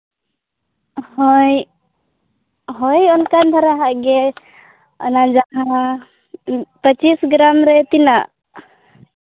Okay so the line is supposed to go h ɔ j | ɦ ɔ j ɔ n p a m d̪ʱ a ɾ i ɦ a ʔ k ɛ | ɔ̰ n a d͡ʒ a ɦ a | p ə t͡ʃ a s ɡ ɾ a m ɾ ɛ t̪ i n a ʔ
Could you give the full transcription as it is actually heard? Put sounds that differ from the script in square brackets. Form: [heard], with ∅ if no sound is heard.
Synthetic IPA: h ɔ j | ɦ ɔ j ɔ n [k] a [n] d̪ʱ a ɾ [a] ɦ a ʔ [ɡ] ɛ | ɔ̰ n a d͡ʒ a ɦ a | p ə t͡ʃ [i] s ɡ ɾ a m ɾ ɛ t̪ i n a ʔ